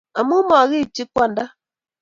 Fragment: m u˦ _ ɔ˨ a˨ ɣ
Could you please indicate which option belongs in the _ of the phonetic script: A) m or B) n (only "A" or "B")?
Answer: A